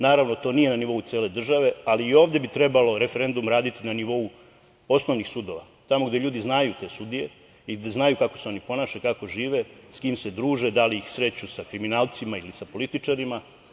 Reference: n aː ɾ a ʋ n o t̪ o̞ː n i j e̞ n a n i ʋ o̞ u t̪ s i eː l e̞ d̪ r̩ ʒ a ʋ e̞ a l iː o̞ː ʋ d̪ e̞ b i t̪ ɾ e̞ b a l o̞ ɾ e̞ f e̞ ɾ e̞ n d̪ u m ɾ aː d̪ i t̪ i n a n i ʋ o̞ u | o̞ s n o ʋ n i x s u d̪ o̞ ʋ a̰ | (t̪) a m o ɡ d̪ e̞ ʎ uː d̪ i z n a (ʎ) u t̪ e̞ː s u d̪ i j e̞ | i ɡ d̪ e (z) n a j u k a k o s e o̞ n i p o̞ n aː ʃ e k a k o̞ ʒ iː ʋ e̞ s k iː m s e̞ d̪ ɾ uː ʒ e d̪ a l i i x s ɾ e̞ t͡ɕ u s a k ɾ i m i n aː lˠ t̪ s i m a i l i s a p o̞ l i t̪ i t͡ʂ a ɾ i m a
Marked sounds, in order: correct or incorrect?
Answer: correct, incorrect: j, correct

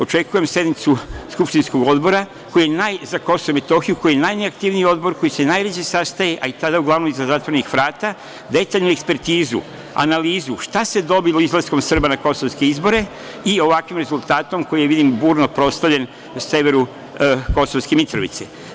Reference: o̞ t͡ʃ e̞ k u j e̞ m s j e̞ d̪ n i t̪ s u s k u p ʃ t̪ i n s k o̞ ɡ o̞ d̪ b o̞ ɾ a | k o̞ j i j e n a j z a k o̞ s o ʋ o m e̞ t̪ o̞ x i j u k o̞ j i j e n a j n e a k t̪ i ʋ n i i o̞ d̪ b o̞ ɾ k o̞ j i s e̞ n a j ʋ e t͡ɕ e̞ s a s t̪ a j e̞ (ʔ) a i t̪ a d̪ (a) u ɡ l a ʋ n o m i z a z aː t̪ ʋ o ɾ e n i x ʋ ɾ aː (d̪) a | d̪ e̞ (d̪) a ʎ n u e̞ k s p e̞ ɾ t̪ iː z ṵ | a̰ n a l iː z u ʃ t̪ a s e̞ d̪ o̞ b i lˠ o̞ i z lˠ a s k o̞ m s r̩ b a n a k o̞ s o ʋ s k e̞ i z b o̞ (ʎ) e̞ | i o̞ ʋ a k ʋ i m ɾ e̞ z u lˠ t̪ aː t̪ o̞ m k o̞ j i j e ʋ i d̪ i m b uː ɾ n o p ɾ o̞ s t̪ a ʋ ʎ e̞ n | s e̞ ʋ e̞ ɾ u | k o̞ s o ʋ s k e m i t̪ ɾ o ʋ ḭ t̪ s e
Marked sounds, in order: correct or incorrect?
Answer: correct, correct, incorrect: t̪, incorrect: t̪, incorrect: ɾ

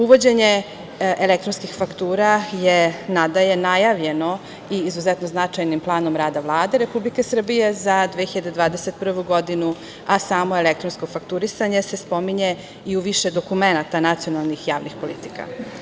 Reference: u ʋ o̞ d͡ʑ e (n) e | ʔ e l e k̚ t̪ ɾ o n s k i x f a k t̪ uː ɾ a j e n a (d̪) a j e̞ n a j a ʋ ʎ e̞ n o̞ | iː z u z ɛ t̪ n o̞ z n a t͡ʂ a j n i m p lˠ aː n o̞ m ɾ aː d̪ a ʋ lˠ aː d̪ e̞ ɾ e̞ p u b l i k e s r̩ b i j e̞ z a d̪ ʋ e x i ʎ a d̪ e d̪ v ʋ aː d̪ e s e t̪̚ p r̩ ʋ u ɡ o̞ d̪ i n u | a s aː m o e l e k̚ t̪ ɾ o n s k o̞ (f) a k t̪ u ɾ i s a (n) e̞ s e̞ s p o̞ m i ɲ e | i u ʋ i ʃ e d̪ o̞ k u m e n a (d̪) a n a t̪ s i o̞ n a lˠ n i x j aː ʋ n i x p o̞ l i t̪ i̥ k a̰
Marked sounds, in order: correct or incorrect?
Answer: incorrect: ɲ, correct, correct, incorrect: ɲ, incorrect: t̪

